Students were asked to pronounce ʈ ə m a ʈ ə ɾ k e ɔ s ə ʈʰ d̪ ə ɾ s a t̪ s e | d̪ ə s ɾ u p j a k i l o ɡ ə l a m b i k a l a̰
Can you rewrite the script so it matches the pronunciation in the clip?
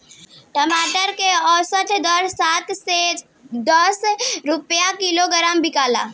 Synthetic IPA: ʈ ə m a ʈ ə ɾ k e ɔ s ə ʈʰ d̪ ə ɾ s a t̪ s e | d̪ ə s ɾ u p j a k i l o ɡ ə ɾ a m b i k a l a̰